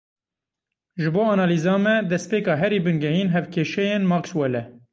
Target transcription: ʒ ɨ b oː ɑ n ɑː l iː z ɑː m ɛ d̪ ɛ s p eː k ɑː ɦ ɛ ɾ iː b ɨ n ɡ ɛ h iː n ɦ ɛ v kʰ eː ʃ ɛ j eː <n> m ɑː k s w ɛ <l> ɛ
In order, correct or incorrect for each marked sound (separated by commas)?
correct, correct